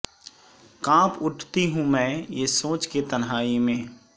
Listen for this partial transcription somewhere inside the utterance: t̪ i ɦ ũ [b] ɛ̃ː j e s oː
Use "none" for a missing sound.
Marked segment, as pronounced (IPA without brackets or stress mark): m